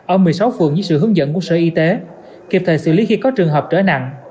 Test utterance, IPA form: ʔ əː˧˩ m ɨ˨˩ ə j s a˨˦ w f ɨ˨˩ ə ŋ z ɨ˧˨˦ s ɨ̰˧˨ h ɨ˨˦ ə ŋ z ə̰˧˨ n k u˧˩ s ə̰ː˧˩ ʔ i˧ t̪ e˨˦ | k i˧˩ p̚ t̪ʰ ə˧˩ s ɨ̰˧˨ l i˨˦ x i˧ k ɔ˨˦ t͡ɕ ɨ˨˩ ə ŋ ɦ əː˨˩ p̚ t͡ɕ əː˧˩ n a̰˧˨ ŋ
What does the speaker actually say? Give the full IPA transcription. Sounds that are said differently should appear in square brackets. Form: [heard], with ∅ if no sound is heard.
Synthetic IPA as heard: ʔ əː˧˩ m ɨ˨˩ ə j s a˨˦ w f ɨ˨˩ ə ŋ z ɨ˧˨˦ s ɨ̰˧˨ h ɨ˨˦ ə ŋ z ə̰˧˨ n k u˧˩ s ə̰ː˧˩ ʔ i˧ t̪ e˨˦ | k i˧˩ p̚ t̪ʰ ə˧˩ s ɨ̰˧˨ l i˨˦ x i˧ k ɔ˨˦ t͡ɕ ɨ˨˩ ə ŋ ɦ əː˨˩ p̚ t͡ɕ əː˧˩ n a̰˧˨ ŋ